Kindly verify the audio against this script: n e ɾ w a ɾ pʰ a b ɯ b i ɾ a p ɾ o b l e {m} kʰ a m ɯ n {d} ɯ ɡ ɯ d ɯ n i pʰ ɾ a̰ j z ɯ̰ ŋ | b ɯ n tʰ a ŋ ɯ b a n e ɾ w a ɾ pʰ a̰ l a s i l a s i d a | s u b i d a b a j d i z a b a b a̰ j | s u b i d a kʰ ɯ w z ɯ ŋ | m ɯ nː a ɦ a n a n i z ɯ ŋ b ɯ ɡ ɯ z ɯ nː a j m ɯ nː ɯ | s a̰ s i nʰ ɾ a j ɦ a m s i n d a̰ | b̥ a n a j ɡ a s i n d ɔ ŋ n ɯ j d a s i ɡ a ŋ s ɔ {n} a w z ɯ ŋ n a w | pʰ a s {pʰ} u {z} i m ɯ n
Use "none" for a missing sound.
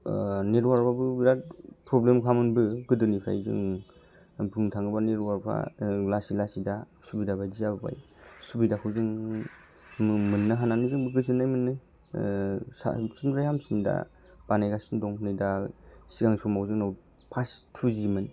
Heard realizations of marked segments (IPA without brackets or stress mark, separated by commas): m, b, m, tʰ, z